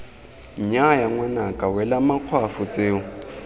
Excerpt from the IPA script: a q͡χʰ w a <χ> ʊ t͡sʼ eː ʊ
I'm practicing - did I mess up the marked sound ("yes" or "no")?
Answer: yes